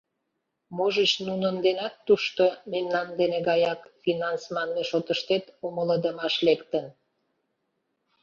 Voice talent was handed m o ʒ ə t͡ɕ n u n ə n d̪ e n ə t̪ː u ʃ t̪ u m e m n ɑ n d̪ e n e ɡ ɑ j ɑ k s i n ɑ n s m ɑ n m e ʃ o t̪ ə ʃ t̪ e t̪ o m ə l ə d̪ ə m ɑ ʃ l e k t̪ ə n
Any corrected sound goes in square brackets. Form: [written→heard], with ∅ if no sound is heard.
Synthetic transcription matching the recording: m o ʒ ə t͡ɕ n u n ə n d̪ e n [ə→ɑ] t̪ː u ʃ t̪ [u→o] m e m n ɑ n d̪ e n e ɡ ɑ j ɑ k [s→f] i n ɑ n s m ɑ n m e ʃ o t̪ ə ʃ t̪ e t̪ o m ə l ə d̪ ə m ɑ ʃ l e k t̪ ə n